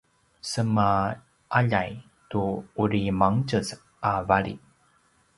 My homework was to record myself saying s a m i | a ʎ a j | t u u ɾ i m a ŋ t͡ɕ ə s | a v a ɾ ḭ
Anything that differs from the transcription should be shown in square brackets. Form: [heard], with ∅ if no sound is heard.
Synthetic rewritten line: s [ə] m [a] | a ʎ a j | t u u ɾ i m a ŋ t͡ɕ ə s | a v a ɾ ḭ